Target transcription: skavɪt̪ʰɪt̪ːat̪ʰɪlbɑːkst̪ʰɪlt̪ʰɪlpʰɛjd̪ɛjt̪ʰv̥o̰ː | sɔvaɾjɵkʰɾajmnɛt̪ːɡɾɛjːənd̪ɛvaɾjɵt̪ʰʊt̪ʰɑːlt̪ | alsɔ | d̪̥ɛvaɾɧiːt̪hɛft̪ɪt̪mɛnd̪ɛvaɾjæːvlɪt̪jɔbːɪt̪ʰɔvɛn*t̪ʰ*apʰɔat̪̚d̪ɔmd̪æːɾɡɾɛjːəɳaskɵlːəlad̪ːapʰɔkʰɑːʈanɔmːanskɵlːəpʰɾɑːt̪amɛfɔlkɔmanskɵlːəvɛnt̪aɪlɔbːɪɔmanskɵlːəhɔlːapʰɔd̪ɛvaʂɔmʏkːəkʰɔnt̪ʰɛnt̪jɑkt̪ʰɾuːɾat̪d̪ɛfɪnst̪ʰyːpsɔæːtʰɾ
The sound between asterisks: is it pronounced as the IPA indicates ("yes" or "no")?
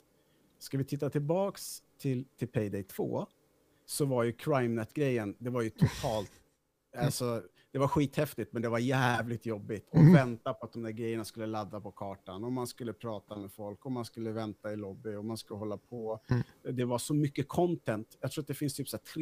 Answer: no